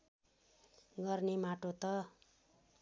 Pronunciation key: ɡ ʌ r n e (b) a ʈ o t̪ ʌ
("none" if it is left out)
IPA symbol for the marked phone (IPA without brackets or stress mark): m